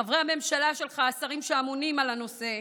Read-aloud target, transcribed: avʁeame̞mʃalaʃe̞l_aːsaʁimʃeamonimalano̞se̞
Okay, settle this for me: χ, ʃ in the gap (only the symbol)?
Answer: χ